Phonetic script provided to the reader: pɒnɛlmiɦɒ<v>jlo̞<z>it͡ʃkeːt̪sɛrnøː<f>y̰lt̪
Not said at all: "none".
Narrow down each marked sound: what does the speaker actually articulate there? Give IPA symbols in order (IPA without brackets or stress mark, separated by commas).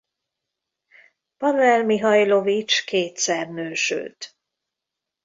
none, v, ʃ